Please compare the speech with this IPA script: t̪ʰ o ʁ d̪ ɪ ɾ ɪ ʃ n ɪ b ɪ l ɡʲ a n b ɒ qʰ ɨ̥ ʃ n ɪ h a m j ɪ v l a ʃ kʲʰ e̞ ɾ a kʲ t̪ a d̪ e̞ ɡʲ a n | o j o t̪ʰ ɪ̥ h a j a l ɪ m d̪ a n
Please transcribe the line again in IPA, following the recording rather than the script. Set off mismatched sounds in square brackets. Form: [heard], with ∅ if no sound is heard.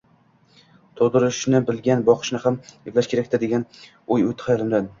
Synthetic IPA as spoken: t̪ʰ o ʁ d̪ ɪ ɾ ɪ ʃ n ɪ b ɪ l ɡʲ a n b ɒ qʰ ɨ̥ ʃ n ɪ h a m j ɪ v l a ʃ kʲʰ e̞ ɾ a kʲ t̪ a d̪ e̞ ɡʲ a n | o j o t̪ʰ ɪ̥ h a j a l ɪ m d̪ a n